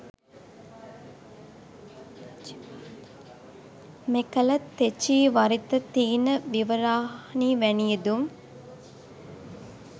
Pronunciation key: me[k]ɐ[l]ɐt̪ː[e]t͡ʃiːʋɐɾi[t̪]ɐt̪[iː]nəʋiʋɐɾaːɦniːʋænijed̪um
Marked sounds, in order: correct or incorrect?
correct, correct, correct, correct, correct

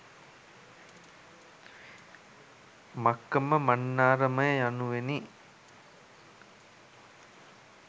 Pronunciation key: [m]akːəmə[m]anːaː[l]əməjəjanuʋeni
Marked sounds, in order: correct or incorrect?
correct, correct, incorrect: ɾ

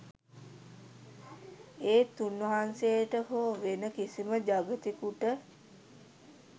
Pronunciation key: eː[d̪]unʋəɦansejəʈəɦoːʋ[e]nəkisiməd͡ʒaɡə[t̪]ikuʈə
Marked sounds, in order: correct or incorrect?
incorrect: t̪, correct, correct

